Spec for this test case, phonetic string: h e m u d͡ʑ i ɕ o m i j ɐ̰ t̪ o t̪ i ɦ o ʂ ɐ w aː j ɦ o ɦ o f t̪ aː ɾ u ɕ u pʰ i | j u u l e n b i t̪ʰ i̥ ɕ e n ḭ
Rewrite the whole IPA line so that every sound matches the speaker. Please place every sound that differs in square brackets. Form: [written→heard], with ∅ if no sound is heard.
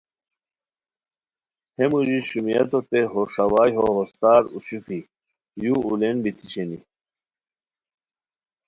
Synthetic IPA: h e m u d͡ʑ i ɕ [o→u] m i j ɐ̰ t̪ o t̪ [i→e] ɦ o ʂ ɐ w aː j ɦ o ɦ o [f→s] t̪ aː ɾ u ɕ u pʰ i | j u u l e n b i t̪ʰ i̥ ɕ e n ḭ